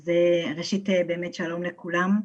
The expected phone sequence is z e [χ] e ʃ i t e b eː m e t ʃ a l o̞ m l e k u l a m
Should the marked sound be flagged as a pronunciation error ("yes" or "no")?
yes